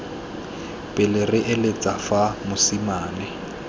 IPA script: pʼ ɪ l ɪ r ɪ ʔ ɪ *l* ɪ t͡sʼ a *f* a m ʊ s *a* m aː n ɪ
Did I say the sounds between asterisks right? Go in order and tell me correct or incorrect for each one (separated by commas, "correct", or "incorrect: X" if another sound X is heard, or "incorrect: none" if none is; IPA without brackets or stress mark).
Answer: correct, correct, incorrect: i